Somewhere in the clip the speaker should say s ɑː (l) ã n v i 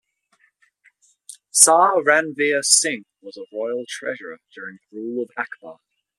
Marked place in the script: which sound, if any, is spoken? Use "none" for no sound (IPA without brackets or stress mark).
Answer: ɹ